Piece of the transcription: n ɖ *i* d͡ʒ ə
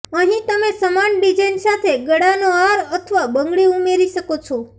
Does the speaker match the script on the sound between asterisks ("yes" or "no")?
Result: yes